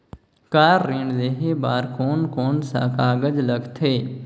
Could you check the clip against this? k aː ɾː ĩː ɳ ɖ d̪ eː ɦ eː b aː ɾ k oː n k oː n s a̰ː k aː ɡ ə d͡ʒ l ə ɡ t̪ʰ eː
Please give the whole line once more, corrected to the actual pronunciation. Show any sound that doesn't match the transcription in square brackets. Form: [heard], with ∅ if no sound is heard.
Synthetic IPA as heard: k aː ɾː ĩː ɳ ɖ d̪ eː ɦ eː b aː ɾ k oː n k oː n s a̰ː k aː ɡ ə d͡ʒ l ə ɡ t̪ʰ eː